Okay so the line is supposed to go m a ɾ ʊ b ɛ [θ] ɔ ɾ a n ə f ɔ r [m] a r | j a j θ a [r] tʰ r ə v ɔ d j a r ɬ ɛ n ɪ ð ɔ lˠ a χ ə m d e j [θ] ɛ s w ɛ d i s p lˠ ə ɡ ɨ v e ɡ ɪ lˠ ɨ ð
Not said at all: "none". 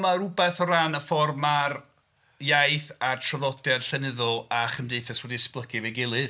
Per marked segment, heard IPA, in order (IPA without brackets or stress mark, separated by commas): θ, m, r, θ